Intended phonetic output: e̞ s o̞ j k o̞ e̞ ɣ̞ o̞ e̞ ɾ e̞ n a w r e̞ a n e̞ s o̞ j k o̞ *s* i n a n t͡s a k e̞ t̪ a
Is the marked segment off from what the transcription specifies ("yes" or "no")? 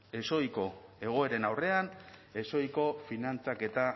yes